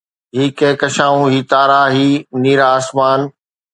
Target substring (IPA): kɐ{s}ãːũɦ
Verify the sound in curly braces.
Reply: incorrect: ʃ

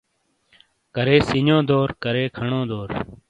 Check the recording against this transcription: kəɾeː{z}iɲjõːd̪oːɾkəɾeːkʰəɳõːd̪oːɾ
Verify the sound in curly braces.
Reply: incorrect: s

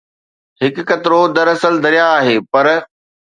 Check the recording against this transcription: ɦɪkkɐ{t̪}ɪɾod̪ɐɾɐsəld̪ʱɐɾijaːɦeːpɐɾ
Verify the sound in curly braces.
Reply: correct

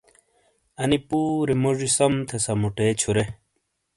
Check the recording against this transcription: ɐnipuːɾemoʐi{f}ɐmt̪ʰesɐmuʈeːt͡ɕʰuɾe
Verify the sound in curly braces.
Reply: incorrect: s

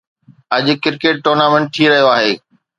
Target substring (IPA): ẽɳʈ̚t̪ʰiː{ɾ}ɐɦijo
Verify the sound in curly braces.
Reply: correct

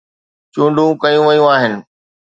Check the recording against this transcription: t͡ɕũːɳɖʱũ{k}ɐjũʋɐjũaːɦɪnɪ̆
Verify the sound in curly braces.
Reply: correct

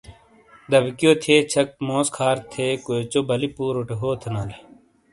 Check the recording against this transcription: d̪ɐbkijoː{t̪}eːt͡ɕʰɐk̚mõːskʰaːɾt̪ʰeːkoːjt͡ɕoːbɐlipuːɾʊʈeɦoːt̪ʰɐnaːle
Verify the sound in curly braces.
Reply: incorrect: t̪ʰ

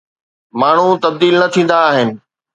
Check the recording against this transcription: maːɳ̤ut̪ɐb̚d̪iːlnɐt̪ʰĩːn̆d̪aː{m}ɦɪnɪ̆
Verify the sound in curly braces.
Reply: incorrect: none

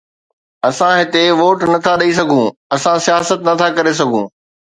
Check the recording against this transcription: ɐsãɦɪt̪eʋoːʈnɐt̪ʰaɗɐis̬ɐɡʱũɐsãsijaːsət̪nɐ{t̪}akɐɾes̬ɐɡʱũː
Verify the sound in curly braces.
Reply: incorrect: t̪ʰ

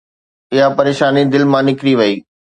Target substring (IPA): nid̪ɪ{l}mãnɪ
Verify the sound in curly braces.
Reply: correct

